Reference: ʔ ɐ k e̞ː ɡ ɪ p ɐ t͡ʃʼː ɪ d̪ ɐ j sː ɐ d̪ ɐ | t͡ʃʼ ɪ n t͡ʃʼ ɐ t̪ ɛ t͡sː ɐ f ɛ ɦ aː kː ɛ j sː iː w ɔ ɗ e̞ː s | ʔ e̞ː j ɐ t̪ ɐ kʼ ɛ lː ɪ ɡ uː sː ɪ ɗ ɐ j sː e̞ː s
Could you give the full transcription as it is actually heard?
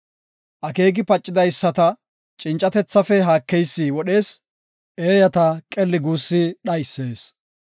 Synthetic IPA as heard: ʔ ɐ k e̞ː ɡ ɪ p ɐ t͡ʃʼː ɪ d̪ ɐ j sː ɐ t̪ ɐ | t͡ʃʼ ɪ n t͡ʃʼ ɐ t̪ ɛ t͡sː ɐ f ɛ ɦ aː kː ɛ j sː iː w ɔ ɗ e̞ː s | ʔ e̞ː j ɐ t̪ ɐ kʼ ɛ lː ɪ ɡ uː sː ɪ ɗ ɐ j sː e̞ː s